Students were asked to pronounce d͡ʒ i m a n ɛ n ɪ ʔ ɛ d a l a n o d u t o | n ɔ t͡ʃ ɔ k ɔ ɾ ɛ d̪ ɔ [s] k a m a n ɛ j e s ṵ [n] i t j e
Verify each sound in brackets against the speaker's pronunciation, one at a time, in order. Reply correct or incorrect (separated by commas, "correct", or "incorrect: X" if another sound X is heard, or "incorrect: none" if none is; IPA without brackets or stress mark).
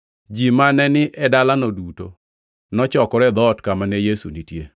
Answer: incorrect: t, correct